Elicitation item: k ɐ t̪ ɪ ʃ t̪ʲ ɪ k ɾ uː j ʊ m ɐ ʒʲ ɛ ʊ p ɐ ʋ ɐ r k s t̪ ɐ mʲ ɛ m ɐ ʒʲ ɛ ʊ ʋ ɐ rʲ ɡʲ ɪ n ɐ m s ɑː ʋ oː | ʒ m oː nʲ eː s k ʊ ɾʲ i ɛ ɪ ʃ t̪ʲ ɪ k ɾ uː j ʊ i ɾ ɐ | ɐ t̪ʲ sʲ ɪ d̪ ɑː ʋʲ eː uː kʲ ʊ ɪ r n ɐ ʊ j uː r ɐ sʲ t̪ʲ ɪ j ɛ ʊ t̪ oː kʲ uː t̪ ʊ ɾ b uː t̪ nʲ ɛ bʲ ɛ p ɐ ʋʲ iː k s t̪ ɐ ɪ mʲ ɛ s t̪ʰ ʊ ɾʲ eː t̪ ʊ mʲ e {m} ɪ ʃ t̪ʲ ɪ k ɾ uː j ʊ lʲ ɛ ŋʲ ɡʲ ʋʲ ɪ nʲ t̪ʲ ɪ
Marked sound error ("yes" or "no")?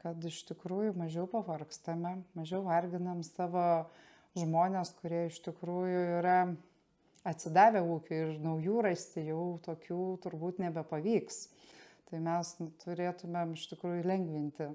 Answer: no